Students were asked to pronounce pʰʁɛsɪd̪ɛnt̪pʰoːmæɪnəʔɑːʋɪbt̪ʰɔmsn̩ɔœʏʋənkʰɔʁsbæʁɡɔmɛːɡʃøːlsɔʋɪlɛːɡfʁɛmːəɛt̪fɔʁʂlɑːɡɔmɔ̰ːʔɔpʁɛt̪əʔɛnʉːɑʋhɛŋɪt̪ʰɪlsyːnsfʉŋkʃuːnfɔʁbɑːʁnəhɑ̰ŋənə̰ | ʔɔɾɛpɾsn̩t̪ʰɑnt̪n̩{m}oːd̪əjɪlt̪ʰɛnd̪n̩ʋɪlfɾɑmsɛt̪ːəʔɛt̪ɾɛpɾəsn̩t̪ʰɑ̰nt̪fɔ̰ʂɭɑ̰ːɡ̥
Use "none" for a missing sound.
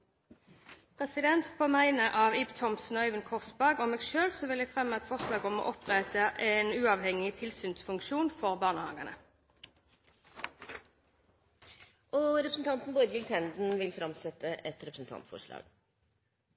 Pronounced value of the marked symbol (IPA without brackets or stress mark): b